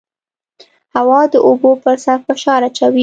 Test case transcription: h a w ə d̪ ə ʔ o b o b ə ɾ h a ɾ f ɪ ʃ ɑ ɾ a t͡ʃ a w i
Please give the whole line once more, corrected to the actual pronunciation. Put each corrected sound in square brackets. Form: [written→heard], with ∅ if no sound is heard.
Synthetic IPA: h a w [ə→ɑ] d̪ ə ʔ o b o [b→p] ə ɾ [h→s] a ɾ f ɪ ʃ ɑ ɾ a t͡ʃ a w i